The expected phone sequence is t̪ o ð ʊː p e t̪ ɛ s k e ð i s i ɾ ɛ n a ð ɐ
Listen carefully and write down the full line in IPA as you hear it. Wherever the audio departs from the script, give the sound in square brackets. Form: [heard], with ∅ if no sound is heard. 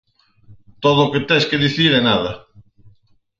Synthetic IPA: t̪ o ð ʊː [k] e t̪ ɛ s k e ð i [θ] i ɾ ɛ n a ð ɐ